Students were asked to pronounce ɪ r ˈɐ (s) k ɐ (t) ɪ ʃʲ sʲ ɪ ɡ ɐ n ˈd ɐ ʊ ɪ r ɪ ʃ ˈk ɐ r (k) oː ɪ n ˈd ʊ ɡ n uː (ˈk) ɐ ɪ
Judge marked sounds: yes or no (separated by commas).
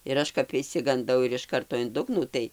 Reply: no, no, no, no